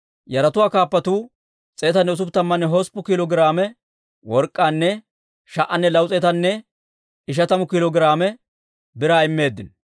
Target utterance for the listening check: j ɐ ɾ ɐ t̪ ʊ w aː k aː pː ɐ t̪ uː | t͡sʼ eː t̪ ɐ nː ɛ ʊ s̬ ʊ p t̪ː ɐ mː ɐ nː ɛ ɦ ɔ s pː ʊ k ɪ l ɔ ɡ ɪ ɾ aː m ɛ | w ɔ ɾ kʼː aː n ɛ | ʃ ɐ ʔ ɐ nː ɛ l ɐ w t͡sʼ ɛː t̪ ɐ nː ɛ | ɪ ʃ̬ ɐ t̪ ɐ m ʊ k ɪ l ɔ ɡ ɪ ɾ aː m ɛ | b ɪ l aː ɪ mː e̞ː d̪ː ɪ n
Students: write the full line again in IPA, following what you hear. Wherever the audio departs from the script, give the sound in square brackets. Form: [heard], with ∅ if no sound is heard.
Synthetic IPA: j ɐ ɾ ɐ t̪ ʊ w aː k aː pː ɐ t̪ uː | t͡sʼ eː t̪ ɐ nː ɛ ʊ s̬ ʊ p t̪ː ɐ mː ɐ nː ɛ ɦ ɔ s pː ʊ k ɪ l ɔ ɡ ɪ ɾ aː m ɛ | w ɔ ɾ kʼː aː [nː] ɛ | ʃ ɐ ʔ ɐ nː ɛ l ɐ w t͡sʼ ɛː t̪ ɐ nː ɛ | ɪ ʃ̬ ɐ t̪ ɐ m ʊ k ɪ l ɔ ɡ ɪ ɾ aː m ɛ | b ɪ [ɾ] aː ɪ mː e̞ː d̪ː ɪ n